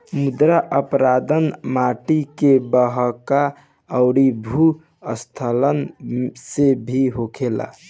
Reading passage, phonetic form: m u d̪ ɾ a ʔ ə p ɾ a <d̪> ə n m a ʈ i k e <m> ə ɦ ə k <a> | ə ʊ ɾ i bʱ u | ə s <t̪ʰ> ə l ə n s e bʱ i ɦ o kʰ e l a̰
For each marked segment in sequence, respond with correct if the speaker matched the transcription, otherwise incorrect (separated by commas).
correct, incorrect, correct, correct